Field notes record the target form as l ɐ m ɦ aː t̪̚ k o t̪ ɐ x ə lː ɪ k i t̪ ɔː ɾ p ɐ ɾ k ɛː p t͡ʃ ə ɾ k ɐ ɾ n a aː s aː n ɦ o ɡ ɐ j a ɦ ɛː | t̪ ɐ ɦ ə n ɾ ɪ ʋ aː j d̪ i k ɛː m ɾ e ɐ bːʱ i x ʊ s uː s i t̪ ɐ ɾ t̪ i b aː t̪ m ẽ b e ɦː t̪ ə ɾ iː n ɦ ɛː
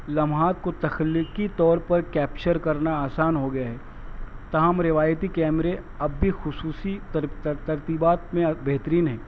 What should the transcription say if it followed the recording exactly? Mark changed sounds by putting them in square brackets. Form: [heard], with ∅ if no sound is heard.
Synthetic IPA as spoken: l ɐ m ɦ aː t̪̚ k o t̪ ɐ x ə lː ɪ k i t̪ ɔː ɾ p ɐ ɾ k ɛː p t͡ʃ ə ɾ k ɐ ɾ n a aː s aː n ɦ o ɡ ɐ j a ɦ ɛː | t̪ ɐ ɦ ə [m] ɾ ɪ ʋ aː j [t̪] i k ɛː m ɾ e ɐ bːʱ i x ʊ s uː s i t̪ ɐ ɾ t̪ i b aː t̪ m ẽ b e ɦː t̪ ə ɾ iː n ɦ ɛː